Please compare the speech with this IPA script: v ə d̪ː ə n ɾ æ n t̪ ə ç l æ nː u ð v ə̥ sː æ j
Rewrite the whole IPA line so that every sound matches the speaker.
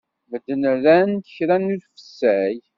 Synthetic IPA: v ə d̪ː ə n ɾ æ n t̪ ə ç ɾ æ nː u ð f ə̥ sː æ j